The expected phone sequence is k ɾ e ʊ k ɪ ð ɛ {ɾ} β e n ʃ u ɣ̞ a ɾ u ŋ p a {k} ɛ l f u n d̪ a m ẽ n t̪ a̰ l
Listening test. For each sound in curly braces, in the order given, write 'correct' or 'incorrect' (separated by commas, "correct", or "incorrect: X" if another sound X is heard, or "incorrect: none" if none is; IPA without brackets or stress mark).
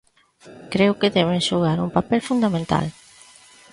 incorrect: none, incorrect: p